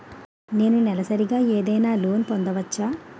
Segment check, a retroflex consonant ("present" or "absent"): absent